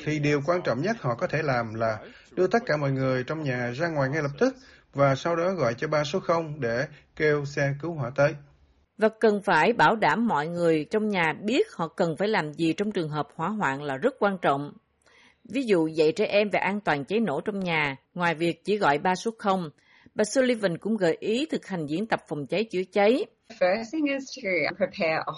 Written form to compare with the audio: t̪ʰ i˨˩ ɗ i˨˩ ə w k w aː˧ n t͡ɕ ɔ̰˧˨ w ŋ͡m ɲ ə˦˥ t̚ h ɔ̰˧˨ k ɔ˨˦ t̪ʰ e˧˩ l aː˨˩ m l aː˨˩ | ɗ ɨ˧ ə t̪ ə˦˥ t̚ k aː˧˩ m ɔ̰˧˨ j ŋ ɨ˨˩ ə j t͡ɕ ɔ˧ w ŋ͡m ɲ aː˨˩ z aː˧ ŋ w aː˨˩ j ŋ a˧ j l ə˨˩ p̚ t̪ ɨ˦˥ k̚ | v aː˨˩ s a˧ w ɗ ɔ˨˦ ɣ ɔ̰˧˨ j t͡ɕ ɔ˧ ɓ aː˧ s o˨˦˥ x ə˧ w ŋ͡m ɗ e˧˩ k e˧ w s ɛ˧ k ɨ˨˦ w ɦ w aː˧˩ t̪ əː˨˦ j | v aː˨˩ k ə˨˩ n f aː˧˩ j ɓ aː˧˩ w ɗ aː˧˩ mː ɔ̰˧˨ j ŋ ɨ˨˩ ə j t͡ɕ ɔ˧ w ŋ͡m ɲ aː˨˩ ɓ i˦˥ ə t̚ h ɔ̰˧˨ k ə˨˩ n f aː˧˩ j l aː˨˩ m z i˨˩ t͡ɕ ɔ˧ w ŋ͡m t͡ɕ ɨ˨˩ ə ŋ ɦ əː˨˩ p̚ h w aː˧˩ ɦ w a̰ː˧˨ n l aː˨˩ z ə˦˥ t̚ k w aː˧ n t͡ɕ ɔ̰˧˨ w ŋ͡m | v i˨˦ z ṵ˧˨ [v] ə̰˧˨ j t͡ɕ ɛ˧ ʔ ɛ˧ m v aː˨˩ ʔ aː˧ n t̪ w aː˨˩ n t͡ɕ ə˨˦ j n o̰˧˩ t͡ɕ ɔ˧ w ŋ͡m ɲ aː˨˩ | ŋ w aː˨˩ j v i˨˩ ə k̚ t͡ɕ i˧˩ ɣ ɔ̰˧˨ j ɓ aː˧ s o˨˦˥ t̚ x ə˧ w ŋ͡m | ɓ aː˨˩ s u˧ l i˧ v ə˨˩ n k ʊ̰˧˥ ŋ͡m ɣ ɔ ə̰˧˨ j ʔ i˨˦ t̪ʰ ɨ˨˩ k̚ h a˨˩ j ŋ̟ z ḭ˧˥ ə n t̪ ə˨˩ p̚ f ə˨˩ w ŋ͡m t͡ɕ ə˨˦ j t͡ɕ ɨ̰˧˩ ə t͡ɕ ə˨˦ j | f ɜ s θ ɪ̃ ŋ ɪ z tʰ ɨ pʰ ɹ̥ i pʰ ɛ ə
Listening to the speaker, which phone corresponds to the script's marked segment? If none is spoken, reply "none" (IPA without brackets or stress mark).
z